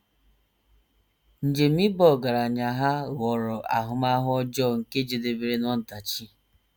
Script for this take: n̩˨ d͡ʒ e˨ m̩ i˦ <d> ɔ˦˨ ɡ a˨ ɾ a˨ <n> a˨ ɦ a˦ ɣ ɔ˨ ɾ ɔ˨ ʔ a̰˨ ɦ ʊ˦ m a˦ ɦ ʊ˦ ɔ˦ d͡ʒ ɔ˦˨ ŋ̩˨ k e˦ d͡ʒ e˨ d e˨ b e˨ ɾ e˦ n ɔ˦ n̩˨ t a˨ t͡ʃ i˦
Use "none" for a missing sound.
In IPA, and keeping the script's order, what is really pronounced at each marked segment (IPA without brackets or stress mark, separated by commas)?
b, ɲ